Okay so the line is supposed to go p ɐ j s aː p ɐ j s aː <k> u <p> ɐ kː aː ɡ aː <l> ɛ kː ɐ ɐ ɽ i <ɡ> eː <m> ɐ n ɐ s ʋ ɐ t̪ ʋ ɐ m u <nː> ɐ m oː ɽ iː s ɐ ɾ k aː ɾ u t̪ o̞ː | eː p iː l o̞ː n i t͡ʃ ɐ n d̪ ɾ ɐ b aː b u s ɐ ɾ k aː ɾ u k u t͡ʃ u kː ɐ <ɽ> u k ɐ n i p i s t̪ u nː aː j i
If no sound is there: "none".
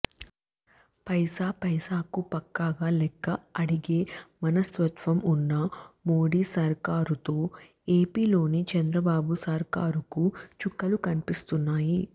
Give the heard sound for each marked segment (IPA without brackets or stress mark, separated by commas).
k, p, l, ɡ, m, nː, l